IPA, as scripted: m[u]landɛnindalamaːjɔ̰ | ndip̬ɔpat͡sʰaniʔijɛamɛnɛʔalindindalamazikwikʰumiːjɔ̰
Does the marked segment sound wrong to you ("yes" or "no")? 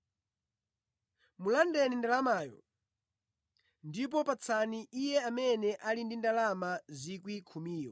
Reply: no